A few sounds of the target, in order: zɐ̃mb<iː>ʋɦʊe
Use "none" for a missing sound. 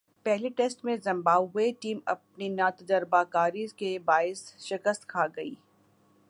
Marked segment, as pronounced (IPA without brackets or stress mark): aː